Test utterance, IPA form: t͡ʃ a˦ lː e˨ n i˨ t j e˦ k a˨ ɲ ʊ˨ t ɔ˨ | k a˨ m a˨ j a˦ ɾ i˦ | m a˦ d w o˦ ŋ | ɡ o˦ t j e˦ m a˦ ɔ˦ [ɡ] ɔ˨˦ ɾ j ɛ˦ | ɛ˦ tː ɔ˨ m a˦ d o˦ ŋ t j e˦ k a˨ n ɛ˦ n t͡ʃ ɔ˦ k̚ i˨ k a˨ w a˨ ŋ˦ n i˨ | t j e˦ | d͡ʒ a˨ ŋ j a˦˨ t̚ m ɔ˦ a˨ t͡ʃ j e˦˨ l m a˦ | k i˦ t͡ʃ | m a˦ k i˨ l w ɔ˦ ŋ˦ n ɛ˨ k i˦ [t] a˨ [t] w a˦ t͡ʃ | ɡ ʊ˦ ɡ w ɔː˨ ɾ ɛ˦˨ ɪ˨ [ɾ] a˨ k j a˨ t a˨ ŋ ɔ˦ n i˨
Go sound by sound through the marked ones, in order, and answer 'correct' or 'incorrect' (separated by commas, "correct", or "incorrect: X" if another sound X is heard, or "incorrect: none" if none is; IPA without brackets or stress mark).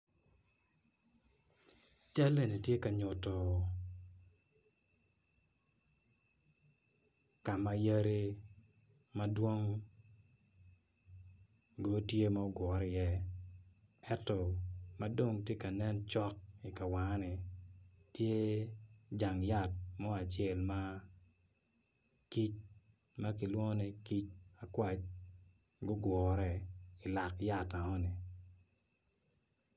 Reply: correct, incorrect: t͡ʃ, incorrect: k, incorrect: l